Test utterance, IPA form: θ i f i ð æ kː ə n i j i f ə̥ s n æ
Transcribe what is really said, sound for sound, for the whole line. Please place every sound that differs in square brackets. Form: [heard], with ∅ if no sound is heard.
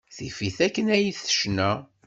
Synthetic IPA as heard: θ i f i [θ] æ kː ə n [æ] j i [θ] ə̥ [ʃ] n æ